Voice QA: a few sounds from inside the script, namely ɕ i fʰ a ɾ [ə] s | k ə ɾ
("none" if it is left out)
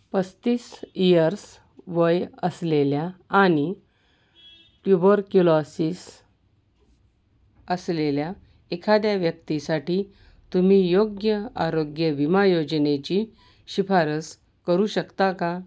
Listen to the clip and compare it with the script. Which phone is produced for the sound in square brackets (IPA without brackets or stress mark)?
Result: ə